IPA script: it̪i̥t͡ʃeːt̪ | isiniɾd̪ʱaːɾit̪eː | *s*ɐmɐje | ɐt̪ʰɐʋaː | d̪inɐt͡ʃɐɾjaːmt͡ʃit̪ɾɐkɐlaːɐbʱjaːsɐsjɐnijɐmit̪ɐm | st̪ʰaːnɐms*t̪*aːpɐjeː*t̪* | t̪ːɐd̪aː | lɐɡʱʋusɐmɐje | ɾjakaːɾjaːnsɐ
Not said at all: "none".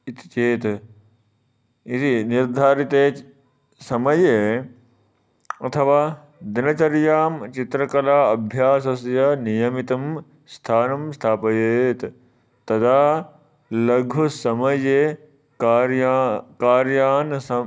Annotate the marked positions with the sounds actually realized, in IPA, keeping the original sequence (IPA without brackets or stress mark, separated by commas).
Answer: s, t̪ʰ, t̪